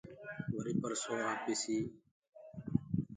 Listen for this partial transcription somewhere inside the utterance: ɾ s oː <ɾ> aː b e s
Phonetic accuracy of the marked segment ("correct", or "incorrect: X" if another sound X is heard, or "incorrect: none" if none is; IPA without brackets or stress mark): incorrect: none